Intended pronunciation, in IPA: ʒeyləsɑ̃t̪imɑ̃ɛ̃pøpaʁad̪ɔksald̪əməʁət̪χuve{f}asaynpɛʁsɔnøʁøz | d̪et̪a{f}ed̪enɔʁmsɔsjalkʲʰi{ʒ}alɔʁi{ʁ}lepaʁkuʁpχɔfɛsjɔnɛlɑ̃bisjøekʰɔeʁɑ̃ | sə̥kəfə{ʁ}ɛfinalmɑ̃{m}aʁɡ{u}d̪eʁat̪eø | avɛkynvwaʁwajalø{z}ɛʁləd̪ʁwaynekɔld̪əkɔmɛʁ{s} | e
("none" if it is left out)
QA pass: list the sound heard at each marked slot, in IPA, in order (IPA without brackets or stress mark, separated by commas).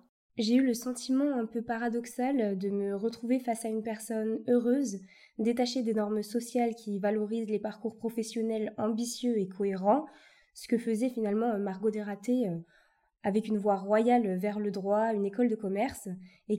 f, ʃ, v, z, z, m, o, v, s